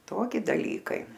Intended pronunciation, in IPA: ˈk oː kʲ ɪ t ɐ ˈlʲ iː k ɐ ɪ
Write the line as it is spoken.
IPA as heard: ˈt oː kʲ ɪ d ɐ ˈlʲ iː k ɐ ɪ

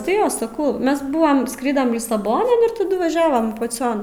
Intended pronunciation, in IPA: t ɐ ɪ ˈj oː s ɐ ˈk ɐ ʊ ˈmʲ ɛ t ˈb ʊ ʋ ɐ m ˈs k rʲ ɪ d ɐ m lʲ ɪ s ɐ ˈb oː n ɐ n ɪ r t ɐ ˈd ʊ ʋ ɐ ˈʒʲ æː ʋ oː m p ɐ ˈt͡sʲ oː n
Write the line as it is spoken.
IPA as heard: t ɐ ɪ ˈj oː s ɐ ˈk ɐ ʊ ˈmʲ ɛ s ˈb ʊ ʋ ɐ m ˈs k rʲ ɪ d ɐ m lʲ ɪ s ɐ ˈb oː n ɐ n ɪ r t ɐ ˈd ʊ ʋ ɐ ˈʒʲ æː ʋ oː m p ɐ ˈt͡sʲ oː n

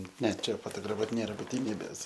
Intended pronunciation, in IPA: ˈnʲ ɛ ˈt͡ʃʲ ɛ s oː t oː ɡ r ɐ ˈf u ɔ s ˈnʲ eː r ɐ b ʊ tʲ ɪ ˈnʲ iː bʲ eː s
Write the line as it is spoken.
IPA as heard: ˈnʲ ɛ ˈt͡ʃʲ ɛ f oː t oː ɡ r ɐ ˈf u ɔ t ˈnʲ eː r ɐ b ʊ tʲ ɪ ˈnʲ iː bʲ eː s

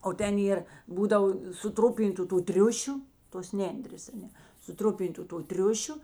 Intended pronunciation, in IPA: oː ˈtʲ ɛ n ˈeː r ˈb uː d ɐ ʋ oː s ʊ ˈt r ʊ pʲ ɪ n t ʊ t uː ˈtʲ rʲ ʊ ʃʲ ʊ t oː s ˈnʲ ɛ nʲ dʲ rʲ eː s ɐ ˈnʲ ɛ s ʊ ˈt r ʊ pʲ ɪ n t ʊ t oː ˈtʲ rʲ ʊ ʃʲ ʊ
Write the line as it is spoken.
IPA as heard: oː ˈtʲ ɛ n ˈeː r ˈb uː d ɐ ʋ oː s ʊ ˈt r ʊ pʲ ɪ n t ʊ t uː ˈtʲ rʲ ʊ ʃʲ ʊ t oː s ˈnʲ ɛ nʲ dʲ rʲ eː s ɐ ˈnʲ ɛ s ʊ ˈt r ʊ pʲ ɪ n t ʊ t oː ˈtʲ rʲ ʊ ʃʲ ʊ

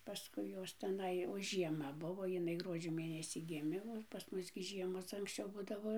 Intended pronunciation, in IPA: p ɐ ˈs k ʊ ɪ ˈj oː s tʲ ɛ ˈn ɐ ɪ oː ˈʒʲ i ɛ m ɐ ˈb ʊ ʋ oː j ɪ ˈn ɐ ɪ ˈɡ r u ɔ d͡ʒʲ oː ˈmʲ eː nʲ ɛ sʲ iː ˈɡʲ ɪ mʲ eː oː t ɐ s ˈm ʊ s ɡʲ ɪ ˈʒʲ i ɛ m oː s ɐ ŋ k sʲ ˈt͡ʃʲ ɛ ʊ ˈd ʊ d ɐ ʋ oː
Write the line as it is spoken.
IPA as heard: p ɐ ˈs k ʊ ɪ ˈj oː s tʲ ɛ ˈn ɐ ɪ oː ˈʒʲ i ɛ m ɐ ˈb ʊ ʋ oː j ɪ ˈn ɐ ɪ ˈɡ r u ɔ d͡ʒʲ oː ˈmʲ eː nʲ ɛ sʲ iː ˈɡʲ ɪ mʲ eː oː p ɐ s ˈm ʊ s ɡʲ ɪ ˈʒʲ i ɛ m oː s ɐ ŋ k sʲ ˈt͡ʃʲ ɛ ʊ ˈb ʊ d ɐ ʋ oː

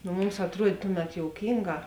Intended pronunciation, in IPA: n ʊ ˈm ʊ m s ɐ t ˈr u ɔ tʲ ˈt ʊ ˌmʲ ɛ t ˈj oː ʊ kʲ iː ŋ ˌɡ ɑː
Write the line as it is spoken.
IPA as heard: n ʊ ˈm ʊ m s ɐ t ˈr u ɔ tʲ ˈt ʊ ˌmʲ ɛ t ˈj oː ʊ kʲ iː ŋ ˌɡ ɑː

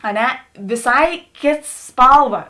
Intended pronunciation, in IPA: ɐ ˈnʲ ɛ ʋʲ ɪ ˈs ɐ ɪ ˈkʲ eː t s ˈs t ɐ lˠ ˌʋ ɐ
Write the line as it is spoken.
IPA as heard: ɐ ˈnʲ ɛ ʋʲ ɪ ˈs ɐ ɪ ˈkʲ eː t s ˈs p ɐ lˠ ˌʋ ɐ

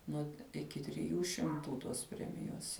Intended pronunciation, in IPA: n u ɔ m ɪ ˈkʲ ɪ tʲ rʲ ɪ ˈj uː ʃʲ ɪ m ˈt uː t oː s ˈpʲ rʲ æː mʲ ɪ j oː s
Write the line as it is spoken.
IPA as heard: n u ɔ ɪ ˈkʲ ɪ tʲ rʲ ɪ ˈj uː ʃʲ ɪ m ˈt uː t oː s ˈpʲ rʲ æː mʲ ɪ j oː s

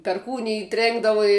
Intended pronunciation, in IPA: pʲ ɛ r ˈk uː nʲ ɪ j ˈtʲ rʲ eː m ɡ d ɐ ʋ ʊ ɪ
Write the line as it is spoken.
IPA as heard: pʲ ɛ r ˈk uː nʲ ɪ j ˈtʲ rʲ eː ŋ ɡ d ɐ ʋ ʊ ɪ

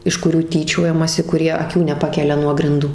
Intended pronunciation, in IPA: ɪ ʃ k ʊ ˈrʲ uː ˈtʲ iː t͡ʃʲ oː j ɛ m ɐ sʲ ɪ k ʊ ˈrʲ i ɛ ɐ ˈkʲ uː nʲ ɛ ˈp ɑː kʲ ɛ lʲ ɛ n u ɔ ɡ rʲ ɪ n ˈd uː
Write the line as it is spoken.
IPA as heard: ɪ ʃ k ʊ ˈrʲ uː ˈtʲ iː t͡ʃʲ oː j ɛ m ɐ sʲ ɪ k ʊ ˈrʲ i ɛ ɐ ˈkʲ uː nʲ ɛ ˈp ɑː kʲ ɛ lʲ ɛ n u ɔ ɡ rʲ ɪ n ˈd uː

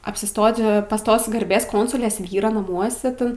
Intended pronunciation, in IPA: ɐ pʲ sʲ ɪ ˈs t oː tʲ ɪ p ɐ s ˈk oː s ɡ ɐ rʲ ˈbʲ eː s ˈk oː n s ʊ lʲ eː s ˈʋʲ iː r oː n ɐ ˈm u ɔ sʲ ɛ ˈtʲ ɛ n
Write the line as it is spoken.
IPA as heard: ɐ pʲ sʲ ɪ ˈs t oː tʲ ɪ p ɐ s ˈt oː s ɡ ɐ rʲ ˈbʲ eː s ˈk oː n s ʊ lʲ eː s ˈʋʲ iː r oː n ɐ ˈm u ɔ sʲ ɛ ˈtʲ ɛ n

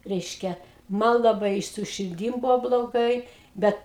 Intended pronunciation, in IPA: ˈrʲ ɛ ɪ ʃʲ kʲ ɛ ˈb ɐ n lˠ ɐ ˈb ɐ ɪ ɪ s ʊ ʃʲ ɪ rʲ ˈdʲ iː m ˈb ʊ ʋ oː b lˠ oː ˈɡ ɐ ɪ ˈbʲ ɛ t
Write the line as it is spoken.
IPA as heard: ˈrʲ ɛ ɪ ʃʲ kʲ ɛ ˈm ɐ n lˠ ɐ ˈb ɐ ɪ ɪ s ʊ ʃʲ ɪ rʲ ˈdʲ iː m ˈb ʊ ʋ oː b lˠ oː ˈɡ ɐ ɪ ˈbʲ ɛ t

